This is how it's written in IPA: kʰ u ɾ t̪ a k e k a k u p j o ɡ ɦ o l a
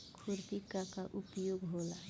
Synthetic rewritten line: kʰ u ɾ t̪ i k a k a ʔ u p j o ɡ ɦ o l a